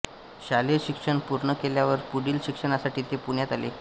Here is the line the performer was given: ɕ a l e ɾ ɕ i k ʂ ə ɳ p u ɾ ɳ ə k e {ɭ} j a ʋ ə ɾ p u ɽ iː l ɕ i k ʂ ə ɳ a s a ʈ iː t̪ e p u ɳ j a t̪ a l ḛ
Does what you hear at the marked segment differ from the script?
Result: yes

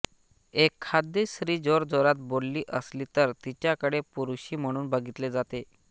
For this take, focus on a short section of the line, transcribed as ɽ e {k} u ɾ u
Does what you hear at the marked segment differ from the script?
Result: yes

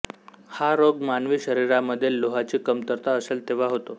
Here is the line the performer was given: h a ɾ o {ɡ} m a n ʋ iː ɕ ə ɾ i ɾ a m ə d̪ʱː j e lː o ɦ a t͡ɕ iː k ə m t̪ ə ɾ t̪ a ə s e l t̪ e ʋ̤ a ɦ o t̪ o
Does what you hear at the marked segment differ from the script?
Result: no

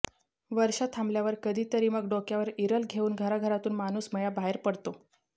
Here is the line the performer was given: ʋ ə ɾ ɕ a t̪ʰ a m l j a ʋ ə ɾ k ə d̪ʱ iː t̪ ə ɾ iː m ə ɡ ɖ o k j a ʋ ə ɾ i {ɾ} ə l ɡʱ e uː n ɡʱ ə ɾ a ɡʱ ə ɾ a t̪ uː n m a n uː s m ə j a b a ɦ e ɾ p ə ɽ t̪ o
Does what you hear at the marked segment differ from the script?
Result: no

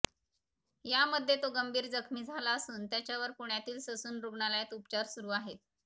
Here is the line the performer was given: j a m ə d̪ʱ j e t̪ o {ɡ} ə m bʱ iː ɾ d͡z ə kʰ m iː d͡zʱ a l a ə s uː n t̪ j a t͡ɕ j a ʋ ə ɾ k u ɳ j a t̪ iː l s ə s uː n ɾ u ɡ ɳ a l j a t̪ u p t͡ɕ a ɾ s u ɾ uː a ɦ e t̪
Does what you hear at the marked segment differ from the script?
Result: no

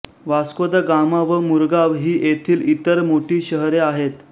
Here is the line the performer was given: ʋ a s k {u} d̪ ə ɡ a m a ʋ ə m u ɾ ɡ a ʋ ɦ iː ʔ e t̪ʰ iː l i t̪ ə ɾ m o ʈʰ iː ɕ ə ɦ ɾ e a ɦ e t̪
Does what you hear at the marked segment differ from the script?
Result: yes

